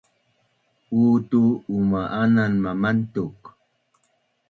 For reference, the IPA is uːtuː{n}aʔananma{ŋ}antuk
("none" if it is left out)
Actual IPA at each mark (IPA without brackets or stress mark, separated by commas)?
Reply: m, m